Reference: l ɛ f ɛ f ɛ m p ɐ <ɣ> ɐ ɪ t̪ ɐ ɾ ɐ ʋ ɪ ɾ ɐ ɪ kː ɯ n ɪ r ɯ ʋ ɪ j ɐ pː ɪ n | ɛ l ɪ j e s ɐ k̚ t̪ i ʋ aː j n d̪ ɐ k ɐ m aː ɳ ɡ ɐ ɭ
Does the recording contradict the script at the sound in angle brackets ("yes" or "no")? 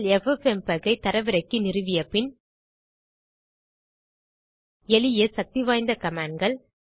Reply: no